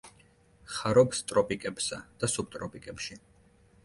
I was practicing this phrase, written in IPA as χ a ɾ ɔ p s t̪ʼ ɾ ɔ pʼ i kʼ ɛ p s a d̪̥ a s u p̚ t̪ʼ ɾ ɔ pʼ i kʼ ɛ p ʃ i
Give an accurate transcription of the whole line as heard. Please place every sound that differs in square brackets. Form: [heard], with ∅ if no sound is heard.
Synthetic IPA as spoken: χ a ɾ ɔ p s t̪ʼ ɾ ɔ pʼ i kʼ ɛ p s a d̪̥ a s u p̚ t̪ʼ ɾ ɔ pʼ i kʼ ɛ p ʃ i